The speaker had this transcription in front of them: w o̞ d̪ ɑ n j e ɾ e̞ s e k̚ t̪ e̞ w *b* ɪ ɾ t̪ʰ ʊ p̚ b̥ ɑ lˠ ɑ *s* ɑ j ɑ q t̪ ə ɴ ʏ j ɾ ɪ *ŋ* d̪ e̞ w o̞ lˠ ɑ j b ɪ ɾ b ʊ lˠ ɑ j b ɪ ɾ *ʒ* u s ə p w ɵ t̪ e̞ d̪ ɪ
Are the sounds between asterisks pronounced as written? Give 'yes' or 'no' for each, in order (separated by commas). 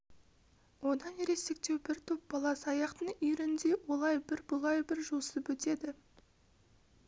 yes, yes, no, yes